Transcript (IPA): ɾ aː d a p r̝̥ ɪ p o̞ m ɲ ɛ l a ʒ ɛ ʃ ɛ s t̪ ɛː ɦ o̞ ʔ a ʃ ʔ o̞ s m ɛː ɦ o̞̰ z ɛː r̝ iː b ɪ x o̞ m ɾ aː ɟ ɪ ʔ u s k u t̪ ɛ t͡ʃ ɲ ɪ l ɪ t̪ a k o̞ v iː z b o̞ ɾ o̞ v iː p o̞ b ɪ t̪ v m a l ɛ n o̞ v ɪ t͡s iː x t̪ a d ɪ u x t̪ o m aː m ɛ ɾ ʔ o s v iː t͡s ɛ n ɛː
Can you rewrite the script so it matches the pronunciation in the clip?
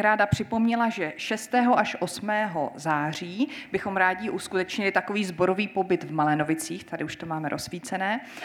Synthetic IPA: ɾ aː d a p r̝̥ ɪ p o̞ m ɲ ɛ l a ʒ ɛ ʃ ɛ s t̪ ɛː ɦ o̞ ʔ a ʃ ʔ o̞ s m ɛː ɦ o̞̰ z aː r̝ iː b ɪ x o̞ m ɾ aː ɟ ɪ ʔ u s k u t̪ ɛ t͡ʃ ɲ ɪ l ɪ t̪ a k o̞ v iː z b o̞ ɾ o̞ v iː p o̞ b ɪ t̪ v m a l ɛ n o̞ v ɪ t͡s iː x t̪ a d ɪ u ʃ t̪ o m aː m ɛ ɾ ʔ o s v iː t͡s ɛ n ɛː